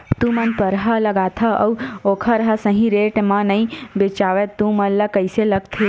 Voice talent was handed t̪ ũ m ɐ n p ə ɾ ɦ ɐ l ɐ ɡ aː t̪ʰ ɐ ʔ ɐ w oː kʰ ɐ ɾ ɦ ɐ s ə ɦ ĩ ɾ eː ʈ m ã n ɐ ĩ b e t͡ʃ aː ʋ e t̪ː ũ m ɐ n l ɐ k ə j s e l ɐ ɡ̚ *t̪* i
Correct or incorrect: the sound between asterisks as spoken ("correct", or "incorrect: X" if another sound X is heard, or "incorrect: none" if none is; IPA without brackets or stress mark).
incorrect: t̪ʰ